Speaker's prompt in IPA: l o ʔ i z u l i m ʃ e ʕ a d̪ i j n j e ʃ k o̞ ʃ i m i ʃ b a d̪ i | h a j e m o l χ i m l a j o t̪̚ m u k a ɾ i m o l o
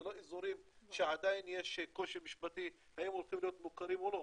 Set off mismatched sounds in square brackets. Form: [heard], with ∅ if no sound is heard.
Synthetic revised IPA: l o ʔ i z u [ɾ] i m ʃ e ʕ a d̪ [a] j n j e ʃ k o̞ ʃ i m i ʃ b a [t̪] i | h a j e m o l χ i m l [i] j o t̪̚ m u k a ɾ i m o l o